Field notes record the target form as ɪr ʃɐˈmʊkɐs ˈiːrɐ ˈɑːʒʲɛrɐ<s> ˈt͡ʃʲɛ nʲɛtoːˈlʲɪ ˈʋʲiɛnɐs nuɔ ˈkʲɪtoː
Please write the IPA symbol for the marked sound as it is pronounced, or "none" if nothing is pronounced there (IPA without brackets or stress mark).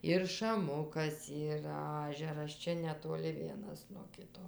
s